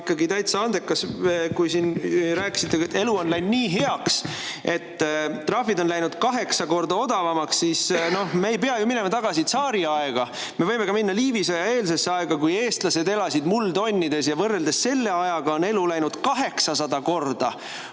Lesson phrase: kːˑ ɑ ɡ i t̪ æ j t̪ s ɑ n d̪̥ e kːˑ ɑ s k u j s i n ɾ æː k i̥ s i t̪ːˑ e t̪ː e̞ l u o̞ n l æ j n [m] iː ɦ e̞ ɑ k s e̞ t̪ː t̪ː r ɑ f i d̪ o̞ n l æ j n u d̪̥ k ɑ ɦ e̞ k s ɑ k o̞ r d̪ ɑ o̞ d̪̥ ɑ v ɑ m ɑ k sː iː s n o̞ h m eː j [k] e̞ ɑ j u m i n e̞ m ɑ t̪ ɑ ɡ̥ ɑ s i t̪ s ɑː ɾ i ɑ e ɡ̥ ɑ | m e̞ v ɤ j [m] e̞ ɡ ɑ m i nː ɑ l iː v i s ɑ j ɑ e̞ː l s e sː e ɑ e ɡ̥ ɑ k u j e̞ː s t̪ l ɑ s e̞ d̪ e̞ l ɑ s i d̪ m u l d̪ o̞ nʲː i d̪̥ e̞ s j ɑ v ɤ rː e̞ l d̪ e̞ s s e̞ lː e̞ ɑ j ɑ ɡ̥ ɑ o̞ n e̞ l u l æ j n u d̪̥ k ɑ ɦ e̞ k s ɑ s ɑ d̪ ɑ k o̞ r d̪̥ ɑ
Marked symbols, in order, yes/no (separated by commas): no, no, yes